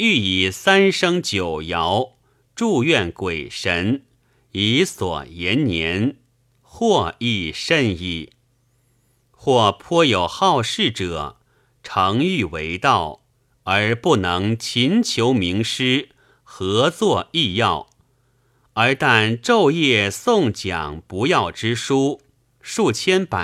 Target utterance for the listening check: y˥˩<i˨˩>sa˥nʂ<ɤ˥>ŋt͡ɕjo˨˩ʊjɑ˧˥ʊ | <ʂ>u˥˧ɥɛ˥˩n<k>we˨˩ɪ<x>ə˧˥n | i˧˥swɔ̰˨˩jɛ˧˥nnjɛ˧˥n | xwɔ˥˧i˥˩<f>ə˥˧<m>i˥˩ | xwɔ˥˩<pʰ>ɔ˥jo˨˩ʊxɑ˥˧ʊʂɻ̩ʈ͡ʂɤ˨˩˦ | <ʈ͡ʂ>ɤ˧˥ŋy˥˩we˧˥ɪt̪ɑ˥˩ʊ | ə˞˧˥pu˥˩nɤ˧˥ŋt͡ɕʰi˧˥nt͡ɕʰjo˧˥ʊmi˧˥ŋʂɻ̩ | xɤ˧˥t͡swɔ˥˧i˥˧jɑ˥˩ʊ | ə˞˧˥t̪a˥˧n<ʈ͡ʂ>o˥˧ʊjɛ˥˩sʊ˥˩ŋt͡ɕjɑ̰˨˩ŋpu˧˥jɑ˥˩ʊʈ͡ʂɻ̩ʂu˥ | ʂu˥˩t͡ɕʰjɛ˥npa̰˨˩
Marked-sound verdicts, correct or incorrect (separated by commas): correct, correct, incorrect, correct, incorrect, incorrect, incorrect, correct, incorrect, correct